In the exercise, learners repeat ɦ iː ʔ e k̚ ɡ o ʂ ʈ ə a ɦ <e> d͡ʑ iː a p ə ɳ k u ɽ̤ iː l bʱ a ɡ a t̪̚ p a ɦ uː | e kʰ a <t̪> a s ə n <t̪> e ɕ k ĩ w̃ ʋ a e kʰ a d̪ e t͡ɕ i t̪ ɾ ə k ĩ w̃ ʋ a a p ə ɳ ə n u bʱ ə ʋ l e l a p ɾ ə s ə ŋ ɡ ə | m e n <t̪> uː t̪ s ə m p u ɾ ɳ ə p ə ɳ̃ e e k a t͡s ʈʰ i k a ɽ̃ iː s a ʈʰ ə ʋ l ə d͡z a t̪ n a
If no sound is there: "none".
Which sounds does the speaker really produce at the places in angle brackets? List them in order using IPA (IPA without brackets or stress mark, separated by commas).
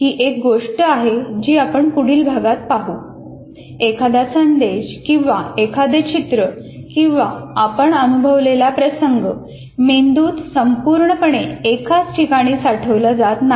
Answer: e, d̪, d̪, d̪